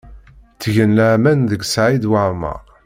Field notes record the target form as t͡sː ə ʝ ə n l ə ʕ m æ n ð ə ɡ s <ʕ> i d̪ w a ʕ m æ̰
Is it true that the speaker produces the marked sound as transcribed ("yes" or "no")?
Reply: yes